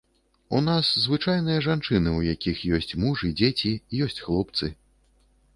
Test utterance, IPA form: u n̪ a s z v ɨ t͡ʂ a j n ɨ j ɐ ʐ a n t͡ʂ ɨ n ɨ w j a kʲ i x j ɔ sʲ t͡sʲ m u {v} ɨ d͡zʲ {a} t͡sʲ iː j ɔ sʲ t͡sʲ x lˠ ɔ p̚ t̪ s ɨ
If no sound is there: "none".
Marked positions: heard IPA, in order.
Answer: ʐ, e

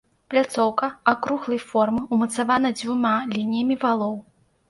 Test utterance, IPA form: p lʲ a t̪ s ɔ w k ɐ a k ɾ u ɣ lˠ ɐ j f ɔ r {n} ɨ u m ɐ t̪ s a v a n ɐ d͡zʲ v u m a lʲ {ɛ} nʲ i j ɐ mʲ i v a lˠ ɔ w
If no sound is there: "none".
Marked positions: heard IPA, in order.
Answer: m, i

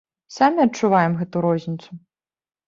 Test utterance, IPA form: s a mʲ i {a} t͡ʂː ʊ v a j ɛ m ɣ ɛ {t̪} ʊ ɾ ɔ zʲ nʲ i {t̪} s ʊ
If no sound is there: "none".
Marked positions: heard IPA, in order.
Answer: ɐ, t̪, t̪

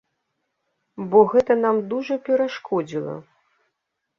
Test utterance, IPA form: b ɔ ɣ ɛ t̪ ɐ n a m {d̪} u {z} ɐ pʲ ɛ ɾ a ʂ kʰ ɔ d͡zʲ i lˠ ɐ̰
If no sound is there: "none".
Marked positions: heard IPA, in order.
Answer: d̪, ʐ

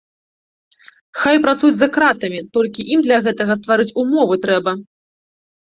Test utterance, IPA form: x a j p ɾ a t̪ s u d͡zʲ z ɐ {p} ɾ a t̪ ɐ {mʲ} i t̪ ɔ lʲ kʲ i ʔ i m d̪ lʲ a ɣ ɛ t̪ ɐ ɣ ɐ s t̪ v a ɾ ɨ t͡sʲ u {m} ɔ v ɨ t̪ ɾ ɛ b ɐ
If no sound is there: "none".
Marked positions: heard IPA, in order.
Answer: k, mʲ, m

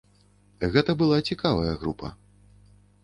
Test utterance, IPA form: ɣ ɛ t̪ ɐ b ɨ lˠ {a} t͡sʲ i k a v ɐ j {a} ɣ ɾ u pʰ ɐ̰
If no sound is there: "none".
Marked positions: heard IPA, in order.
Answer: a, ɐ

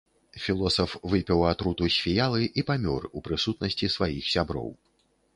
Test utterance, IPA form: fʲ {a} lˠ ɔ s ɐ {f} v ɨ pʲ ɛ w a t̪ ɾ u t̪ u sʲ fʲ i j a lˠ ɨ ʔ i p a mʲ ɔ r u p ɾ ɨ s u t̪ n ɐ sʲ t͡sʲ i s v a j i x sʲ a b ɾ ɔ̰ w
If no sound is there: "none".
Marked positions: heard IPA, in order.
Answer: i, f

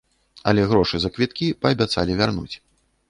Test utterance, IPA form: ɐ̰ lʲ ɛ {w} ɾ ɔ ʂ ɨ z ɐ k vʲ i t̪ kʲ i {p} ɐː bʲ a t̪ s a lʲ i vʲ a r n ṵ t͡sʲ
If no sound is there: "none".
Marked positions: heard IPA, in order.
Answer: ɣ, p

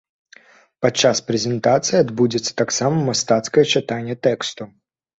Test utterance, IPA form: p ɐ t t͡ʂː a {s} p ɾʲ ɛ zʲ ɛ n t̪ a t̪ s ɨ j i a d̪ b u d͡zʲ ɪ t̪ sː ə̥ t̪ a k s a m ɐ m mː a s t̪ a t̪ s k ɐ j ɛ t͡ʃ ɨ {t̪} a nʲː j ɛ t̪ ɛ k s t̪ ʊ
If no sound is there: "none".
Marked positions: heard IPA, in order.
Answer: s, t̪

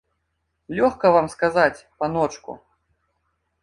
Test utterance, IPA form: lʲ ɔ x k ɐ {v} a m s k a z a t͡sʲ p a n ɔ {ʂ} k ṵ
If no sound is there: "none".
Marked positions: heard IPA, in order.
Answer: v, t͡ʂ

